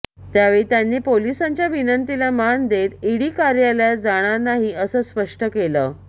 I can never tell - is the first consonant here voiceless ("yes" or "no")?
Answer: yes